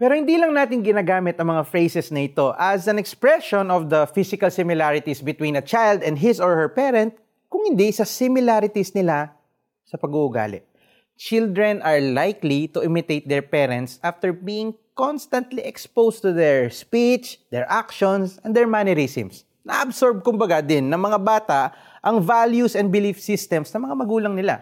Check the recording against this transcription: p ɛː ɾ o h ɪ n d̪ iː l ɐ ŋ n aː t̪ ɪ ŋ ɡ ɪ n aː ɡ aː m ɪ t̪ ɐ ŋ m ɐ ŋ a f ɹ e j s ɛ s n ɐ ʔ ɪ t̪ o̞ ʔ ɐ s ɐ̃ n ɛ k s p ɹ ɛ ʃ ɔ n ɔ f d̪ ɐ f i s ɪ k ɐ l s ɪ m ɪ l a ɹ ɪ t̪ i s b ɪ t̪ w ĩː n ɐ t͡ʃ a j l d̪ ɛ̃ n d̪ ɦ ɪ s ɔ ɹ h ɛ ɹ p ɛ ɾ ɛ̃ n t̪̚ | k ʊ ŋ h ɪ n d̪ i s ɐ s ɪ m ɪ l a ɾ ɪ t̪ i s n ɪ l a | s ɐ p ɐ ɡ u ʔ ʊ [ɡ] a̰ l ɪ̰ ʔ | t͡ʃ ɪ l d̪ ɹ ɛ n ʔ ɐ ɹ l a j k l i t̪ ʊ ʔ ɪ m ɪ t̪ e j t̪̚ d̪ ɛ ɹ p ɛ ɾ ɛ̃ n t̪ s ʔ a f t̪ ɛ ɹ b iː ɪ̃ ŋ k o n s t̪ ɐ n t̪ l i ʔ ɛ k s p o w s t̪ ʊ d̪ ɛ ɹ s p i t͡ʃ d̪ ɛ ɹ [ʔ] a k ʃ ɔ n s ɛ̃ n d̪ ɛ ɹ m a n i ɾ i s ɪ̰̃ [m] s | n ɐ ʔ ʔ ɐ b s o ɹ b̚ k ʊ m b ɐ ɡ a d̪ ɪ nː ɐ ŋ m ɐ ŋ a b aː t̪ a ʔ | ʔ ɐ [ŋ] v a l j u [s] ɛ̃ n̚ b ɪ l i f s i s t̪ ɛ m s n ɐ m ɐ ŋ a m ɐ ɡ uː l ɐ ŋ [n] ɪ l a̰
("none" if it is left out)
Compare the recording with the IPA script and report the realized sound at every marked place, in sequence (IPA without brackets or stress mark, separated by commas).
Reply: ɡ, ʔ, m, ŋ, s, n